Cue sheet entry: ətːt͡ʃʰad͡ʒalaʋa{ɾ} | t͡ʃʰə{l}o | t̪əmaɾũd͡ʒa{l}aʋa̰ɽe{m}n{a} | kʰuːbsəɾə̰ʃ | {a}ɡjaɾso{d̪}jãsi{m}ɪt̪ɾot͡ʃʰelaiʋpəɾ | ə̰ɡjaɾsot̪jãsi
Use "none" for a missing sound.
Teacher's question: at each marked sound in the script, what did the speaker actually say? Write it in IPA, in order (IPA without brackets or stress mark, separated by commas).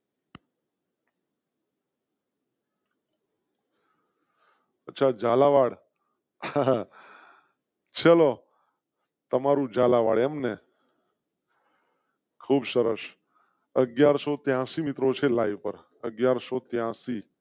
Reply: ɽ, l, l, m, e, ə, t̪, m